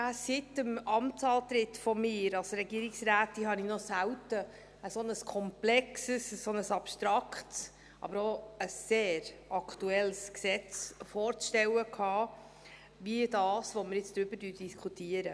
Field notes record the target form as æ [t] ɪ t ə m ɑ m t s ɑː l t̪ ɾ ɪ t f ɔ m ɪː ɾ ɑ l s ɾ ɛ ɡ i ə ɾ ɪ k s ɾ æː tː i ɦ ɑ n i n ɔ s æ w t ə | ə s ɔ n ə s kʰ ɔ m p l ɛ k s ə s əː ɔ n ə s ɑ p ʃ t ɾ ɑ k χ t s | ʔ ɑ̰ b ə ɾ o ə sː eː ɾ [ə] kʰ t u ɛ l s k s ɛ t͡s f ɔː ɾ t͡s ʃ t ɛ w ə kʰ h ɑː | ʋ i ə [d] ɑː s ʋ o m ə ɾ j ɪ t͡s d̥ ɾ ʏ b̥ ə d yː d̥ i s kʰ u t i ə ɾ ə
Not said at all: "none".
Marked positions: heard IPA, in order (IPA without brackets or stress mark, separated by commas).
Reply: s, ɑ, d